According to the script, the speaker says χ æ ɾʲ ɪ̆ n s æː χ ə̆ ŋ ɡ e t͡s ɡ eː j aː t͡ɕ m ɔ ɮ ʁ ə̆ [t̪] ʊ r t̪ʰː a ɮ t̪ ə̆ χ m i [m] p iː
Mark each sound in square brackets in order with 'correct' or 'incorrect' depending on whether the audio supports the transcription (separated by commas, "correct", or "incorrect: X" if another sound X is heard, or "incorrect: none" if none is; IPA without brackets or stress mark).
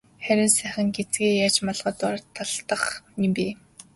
correct, correct